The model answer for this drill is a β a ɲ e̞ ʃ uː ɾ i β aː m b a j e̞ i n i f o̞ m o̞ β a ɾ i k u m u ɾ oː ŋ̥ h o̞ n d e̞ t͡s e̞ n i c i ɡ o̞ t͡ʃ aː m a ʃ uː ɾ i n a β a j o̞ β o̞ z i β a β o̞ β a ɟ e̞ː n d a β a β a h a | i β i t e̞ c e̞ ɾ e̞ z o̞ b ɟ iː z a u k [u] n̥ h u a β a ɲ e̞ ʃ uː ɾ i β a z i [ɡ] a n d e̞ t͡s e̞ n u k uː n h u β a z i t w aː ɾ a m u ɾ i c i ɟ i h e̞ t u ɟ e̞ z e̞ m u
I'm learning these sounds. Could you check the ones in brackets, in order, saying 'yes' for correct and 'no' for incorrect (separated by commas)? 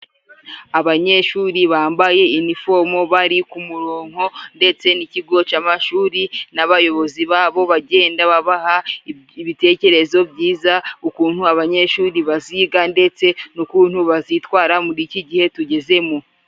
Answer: no, yes